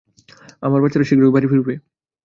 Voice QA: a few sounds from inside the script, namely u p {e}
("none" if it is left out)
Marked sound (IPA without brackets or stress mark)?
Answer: e